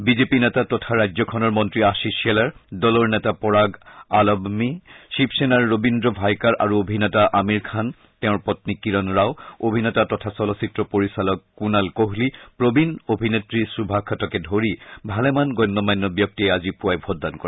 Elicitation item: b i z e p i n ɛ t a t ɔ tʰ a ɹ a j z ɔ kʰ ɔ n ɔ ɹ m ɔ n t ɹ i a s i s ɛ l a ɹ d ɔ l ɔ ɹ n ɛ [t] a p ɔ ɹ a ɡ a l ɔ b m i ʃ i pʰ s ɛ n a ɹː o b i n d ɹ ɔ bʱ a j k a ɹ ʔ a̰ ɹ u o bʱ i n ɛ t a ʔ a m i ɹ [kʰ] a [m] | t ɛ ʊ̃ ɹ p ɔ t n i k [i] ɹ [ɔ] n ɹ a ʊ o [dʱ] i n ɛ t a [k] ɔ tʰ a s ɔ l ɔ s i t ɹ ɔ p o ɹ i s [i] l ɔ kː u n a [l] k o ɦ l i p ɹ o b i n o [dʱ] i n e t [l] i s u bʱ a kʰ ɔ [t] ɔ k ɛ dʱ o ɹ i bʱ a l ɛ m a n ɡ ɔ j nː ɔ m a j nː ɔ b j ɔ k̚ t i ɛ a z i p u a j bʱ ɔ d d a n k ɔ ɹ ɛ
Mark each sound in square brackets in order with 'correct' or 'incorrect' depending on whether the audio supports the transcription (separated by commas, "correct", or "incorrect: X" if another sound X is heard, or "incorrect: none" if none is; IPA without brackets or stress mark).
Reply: correct, correct, incorrect: n, correct, correct, incorrect: bʱ, incorrect: t, incorrect: a, correct, incorrect: bʱ, incorrect: ɹ, correct